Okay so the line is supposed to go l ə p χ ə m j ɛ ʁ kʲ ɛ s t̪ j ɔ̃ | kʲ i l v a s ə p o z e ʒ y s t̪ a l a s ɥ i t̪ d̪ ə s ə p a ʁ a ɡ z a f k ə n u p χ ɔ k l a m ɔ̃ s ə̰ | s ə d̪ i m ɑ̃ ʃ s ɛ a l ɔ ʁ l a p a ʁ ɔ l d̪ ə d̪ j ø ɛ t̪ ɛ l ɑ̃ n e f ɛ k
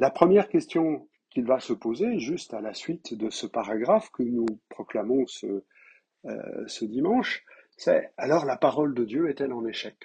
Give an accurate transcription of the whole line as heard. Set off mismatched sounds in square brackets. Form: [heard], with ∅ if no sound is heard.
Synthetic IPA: l [a] p χ ə m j ɛ ʁ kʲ ɛ s t̪ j ɔ̃ | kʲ i l v a s ə p o z e ʒ y s t̪ a l a s ɥ i t̪ d̪ ə s ə p a ʁ a ɡ [ʁ] a f k ə n u p χ ɔ k l a m ɔ̃ s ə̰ | s ə d̪ i m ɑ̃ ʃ s ɛ a l ɔ ʁ l a p a ʁ ɔ l d̪ ə d̪ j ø ɛ t̪ ɛ l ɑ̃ n e [ʃ] ɛ k